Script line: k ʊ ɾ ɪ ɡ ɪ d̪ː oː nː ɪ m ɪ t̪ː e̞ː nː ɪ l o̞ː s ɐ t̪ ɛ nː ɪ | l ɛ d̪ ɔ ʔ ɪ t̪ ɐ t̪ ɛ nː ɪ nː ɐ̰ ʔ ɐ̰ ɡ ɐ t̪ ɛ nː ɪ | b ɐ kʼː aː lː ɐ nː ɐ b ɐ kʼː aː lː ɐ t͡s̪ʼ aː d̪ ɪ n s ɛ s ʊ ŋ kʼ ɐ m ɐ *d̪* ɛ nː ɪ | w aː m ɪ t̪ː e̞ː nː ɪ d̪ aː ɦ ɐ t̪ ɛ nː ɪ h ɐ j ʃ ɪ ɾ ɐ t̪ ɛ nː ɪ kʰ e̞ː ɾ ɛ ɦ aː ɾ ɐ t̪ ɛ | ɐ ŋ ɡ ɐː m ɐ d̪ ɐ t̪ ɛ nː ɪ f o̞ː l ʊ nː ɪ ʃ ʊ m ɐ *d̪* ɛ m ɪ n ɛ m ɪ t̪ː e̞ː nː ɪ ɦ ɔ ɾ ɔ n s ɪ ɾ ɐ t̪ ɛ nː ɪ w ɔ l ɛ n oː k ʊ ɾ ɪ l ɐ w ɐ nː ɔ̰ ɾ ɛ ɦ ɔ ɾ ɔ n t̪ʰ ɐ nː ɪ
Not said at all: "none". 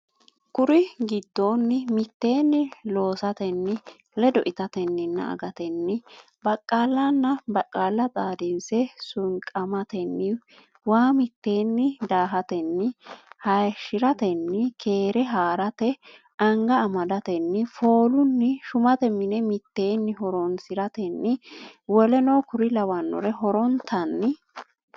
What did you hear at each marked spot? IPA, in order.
t̪, t̪

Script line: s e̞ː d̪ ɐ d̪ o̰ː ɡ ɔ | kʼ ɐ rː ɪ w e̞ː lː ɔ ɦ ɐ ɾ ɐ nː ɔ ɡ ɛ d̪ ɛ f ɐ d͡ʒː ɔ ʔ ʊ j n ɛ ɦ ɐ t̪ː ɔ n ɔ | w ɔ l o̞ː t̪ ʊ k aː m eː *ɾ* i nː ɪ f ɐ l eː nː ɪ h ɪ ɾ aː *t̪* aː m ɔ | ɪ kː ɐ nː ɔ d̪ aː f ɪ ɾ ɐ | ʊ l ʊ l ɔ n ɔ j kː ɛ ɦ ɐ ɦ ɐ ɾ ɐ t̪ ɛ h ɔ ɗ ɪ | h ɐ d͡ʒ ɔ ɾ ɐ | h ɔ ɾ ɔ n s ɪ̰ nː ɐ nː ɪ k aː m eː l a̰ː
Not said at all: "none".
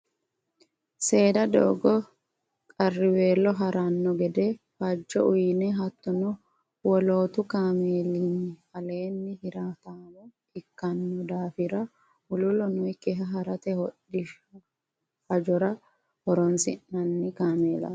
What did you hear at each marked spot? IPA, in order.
l, t̪

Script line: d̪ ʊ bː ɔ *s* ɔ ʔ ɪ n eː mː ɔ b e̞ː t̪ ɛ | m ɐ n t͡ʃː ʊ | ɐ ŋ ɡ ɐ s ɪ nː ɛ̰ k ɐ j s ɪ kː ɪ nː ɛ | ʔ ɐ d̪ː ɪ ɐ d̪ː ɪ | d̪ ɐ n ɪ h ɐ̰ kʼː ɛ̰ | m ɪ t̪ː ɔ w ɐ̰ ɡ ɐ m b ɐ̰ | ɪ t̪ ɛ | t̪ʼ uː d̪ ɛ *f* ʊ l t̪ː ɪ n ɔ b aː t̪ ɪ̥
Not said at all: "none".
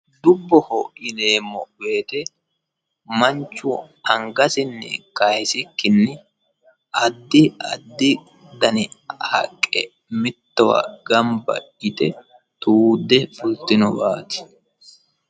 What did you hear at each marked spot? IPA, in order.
h, f

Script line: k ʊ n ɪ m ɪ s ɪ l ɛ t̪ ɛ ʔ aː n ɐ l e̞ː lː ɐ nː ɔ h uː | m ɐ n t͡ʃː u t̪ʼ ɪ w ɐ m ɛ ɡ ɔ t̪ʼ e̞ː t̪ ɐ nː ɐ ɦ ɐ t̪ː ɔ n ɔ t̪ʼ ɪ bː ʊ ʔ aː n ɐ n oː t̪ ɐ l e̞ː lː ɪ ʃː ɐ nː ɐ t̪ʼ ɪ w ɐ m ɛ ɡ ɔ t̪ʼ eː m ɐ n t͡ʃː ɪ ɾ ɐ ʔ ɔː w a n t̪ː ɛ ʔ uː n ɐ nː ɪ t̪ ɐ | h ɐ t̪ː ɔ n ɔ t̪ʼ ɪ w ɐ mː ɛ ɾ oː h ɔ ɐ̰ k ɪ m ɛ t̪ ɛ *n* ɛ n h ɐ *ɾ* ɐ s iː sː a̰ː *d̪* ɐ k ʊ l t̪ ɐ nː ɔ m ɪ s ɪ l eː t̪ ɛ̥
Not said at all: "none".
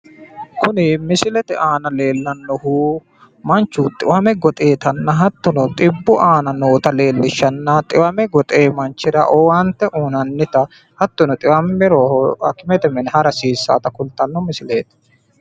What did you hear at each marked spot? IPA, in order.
m, ɾ, t̪

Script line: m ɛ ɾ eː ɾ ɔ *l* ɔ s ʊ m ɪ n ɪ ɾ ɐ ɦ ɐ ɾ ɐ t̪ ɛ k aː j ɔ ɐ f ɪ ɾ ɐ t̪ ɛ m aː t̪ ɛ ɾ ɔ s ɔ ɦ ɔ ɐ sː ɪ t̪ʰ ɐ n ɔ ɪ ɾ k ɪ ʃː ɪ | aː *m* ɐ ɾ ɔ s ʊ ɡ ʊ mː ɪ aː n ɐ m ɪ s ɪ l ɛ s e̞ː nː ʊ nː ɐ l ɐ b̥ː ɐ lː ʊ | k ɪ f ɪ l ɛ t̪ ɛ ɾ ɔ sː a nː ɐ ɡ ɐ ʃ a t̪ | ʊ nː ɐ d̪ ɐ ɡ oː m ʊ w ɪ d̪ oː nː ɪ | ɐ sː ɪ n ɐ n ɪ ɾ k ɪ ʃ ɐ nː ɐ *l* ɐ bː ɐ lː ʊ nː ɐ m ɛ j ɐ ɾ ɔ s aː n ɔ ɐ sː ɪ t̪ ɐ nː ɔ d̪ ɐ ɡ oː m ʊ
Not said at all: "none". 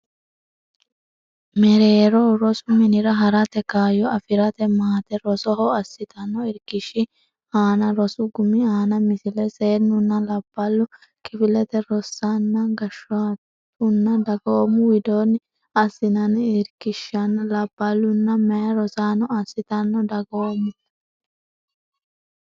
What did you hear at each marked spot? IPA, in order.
ɾ, n, l

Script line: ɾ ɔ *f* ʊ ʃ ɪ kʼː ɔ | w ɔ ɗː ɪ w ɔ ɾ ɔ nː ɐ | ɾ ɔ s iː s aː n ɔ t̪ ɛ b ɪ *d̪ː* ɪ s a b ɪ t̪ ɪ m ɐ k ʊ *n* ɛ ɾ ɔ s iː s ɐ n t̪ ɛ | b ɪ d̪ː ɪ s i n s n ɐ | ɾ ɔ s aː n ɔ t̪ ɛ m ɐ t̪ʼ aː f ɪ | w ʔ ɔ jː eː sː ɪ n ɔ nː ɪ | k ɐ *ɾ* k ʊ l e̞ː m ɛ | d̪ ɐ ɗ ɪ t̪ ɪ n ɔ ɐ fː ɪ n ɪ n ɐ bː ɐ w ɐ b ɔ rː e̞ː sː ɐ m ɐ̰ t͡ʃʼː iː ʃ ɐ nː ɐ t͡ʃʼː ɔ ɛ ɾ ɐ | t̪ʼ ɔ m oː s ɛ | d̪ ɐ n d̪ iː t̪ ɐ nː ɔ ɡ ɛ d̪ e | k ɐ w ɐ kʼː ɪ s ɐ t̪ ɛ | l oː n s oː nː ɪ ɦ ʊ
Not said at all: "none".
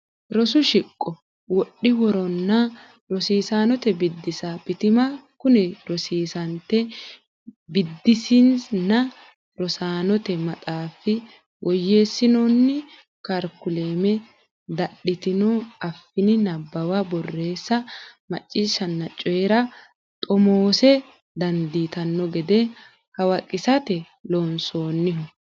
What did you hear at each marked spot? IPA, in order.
s, d̪ː, n, ɾ

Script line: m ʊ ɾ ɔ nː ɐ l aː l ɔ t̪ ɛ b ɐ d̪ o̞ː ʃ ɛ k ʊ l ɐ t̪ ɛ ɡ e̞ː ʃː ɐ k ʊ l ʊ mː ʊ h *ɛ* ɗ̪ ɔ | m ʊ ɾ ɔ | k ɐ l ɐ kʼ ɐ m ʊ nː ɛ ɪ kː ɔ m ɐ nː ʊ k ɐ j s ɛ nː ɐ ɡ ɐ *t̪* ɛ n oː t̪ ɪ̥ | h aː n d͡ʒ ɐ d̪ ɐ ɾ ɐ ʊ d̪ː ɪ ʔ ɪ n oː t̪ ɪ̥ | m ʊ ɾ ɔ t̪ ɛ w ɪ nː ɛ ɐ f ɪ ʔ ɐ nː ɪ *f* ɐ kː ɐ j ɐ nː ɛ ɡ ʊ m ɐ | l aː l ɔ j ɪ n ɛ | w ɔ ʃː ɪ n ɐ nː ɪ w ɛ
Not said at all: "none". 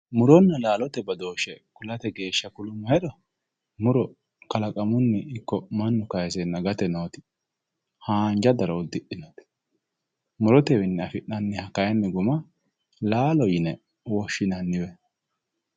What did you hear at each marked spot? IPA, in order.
ɛ, t̪, h

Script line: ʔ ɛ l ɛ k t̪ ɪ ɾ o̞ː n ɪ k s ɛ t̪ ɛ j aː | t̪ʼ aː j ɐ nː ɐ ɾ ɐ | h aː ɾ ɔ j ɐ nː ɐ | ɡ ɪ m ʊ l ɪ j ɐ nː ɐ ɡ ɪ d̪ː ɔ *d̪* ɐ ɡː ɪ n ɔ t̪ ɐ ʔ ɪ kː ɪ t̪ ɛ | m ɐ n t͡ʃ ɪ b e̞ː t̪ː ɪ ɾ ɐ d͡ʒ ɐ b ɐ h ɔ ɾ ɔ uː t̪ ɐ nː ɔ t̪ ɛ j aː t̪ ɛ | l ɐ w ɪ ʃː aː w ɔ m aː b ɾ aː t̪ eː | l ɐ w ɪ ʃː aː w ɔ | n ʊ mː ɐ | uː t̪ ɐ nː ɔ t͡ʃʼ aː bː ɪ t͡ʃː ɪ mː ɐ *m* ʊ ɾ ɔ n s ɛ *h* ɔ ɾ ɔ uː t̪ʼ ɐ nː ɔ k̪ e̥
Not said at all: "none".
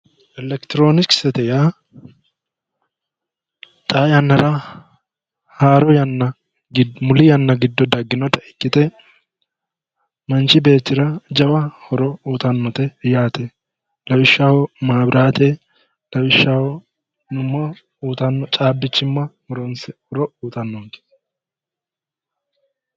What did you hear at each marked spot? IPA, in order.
d̪, m, h

